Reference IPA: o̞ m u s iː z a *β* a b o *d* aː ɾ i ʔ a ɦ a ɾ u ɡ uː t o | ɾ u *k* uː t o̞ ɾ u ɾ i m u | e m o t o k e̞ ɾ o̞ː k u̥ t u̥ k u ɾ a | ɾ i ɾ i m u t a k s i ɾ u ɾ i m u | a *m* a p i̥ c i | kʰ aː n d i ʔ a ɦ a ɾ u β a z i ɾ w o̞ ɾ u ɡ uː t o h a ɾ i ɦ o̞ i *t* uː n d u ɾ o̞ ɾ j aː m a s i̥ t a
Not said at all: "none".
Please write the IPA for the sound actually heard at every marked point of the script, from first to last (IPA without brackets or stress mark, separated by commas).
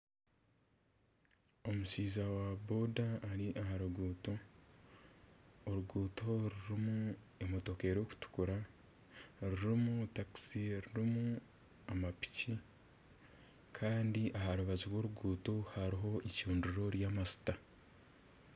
w, d, ɡ, m, c